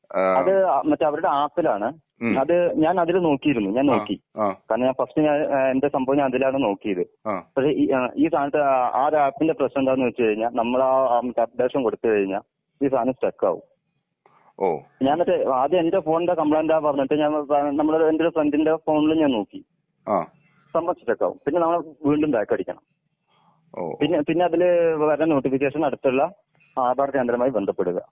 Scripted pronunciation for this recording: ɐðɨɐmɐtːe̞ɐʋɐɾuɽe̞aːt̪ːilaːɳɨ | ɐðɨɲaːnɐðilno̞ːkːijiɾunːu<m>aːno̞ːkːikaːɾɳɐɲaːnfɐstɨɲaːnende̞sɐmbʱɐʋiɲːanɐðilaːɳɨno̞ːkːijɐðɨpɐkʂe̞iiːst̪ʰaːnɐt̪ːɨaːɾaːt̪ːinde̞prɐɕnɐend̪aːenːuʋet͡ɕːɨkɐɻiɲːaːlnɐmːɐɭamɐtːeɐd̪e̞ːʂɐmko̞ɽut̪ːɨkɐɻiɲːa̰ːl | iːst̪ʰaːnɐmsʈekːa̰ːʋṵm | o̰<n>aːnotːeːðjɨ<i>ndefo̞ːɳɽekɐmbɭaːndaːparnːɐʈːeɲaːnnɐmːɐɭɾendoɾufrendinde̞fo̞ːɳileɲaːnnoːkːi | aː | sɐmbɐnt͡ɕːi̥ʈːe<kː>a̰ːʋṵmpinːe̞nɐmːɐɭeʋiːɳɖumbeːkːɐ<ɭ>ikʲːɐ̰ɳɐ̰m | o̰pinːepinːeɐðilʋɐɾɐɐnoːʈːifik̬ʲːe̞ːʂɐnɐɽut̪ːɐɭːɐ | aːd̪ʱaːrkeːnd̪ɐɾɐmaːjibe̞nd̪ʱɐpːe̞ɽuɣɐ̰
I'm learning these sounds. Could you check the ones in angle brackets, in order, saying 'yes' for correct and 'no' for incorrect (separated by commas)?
no, no, no, yes, no